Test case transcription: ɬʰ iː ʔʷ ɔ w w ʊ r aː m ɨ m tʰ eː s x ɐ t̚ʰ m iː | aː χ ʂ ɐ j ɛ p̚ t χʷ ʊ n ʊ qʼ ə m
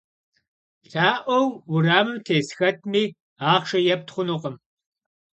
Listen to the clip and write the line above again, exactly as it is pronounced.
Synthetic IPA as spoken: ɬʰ aː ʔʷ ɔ w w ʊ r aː m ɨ m tʰ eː s x ɐ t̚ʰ m iː | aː χ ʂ ɐ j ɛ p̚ t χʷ ʊ n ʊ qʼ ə m